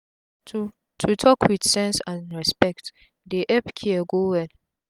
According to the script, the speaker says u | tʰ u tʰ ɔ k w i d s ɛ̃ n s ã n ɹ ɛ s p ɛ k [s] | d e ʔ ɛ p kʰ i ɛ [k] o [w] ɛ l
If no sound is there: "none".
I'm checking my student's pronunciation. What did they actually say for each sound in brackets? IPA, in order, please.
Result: t, ɡ, w

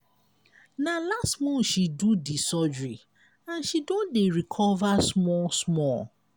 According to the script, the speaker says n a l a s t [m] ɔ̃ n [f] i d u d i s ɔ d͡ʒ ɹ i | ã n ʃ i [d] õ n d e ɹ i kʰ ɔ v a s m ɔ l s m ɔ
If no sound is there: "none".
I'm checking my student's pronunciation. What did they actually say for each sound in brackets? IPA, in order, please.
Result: m, ʃ, d

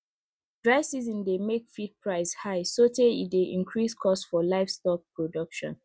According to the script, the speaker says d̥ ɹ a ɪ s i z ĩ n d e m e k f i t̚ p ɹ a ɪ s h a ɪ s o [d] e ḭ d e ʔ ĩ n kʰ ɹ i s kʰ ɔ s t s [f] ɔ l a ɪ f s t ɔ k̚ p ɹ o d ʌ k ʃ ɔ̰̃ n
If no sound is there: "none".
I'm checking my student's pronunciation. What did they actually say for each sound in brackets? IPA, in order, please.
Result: t, f

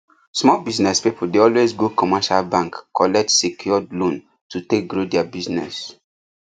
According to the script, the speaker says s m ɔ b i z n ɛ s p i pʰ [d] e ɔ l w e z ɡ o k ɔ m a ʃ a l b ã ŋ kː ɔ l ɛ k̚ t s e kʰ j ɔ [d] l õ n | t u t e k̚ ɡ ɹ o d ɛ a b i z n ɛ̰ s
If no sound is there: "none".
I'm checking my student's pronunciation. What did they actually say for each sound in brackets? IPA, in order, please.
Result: d, d

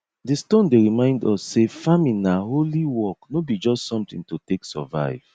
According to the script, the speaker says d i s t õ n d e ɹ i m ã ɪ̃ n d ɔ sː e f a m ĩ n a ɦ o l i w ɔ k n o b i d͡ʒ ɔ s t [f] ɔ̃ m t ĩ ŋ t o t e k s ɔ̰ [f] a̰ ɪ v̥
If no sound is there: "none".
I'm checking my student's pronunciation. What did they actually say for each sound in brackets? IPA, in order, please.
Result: s, v

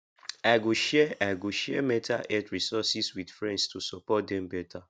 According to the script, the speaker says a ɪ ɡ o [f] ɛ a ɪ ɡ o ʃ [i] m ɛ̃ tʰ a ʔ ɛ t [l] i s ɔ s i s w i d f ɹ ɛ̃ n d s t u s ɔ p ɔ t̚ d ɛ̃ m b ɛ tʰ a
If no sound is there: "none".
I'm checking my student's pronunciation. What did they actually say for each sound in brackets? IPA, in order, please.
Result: ʃ, ɛ, ɹ

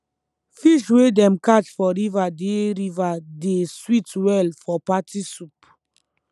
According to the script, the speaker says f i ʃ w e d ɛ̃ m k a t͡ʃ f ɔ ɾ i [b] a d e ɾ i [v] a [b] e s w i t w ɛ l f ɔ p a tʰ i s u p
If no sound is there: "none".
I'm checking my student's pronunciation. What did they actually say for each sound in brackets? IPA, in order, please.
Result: v, v, d

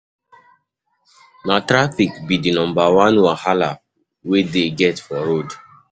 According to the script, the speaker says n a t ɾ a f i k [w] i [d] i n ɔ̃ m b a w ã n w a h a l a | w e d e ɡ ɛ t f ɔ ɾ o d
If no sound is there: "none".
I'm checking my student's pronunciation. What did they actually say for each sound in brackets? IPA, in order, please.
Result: b, d

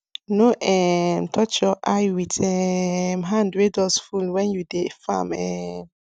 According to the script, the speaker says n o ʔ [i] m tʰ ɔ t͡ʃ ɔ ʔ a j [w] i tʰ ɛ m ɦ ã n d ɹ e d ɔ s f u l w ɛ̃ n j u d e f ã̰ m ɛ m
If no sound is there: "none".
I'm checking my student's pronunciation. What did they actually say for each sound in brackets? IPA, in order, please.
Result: ɛ, w

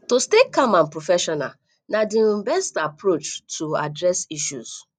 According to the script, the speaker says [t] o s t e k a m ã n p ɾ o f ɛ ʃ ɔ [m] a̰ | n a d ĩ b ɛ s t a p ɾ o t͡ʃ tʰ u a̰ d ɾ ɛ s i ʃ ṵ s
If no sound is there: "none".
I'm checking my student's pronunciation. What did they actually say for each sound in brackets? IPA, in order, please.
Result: t, n

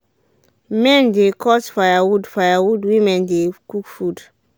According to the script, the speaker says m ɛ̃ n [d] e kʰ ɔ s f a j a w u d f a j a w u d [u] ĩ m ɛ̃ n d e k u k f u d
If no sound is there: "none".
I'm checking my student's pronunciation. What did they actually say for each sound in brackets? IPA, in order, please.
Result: d, w

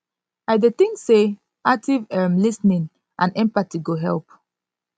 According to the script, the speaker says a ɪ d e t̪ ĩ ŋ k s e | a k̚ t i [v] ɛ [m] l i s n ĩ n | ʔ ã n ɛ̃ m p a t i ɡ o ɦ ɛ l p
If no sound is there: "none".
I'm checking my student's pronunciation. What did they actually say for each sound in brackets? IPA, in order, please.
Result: v, m

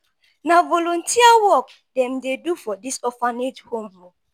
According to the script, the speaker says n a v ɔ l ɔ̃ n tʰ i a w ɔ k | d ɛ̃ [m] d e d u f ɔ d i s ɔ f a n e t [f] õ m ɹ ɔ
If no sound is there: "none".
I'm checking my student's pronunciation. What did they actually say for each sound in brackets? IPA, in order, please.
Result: m, h

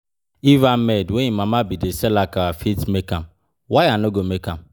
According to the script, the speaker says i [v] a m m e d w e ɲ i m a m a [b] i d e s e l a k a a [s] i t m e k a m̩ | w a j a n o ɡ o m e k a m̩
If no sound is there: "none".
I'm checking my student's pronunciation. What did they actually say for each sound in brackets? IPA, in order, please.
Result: v, b, f

